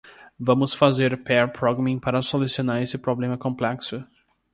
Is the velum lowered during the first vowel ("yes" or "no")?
yes